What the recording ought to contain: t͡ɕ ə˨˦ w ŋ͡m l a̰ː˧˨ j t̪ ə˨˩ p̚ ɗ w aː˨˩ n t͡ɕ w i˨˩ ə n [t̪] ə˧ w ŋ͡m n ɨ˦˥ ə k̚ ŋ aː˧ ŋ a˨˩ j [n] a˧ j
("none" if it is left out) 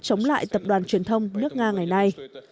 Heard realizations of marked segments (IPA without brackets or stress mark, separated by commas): t̪ʰ, n